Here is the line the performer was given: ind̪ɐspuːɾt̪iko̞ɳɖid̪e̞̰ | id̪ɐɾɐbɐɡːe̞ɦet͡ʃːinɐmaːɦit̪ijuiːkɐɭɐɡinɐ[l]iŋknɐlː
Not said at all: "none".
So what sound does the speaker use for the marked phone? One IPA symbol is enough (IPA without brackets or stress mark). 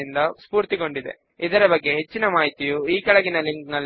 l